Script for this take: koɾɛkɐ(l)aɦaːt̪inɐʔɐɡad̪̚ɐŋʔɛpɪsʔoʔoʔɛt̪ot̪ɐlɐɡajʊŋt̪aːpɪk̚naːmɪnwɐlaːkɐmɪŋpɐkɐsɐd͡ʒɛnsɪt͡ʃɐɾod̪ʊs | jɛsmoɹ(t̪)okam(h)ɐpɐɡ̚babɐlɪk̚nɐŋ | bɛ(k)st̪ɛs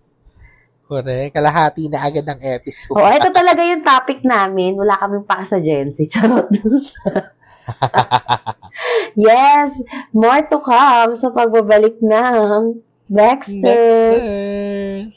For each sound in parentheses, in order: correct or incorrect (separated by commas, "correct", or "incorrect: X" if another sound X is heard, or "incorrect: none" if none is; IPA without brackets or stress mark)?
correct, correct, incorrect: s, correct